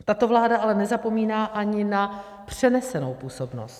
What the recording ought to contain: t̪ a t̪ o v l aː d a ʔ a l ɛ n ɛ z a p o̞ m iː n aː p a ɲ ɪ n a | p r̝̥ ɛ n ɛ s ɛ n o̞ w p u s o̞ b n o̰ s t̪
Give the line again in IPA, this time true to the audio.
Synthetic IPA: t̪ a t̪ o v l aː d a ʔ a l ɛ n ɛ z a p o̞ m iː n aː ʔ a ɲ ɪ n a | p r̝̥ ɛ n ɛ s ɛ n o̞ w p uː s o̞ b n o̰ s t̪